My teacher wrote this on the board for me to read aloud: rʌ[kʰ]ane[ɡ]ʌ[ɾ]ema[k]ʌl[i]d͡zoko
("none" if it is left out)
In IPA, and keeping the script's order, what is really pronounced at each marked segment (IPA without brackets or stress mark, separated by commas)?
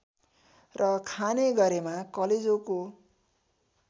kʰ, ɡ, ɾ, k, e